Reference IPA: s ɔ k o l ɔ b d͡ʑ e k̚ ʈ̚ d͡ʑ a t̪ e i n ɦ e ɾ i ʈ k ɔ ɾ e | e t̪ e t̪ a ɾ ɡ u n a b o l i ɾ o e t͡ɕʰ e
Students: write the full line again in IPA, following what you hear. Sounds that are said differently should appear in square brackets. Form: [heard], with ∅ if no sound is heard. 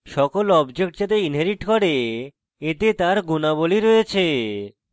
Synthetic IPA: [ʃ] ɔ k o l ɔ b d͡ʑ e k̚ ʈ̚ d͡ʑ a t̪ e i n ɦ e ɾ i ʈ k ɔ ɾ e | e t̪ e t̪ a ɾ ɡ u n a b o l i ɾ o e t͡ɕʰ e